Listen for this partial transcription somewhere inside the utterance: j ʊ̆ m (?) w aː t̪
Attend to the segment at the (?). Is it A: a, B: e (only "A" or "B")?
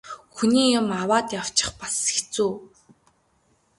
A